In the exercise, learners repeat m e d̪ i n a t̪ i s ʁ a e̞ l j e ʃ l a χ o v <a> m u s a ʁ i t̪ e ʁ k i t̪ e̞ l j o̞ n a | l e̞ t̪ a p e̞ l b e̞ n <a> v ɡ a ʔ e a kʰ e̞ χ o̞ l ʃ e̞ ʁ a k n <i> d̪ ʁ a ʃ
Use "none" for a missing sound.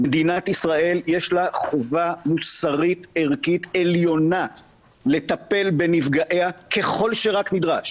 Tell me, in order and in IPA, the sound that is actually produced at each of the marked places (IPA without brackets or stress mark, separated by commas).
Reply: a, i, i